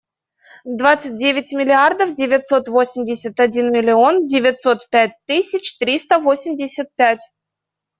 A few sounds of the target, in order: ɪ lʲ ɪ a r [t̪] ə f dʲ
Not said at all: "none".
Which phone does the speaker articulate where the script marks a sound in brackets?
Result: d̪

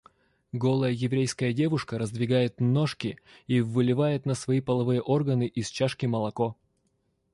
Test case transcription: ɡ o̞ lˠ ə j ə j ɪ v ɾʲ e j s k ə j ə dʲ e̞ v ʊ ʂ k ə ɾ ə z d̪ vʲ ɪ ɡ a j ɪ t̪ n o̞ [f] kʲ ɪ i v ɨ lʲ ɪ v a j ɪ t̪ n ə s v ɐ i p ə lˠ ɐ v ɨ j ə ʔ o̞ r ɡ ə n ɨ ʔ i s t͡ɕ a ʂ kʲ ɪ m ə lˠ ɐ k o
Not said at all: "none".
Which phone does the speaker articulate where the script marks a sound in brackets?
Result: ʂ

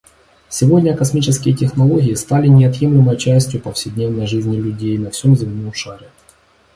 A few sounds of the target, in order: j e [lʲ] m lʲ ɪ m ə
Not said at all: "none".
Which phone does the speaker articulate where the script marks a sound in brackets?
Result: none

